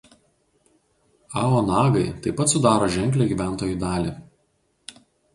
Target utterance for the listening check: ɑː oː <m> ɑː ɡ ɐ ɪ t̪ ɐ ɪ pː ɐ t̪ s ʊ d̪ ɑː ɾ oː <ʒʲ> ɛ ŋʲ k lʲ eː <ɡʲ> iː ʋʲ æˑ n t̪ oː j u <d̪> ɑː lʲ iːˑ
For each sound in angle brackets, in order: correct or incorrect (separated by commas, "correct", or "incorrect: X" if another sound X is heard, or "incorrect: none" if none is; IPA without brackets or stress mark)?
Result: incorrect: n, correct, correct, correct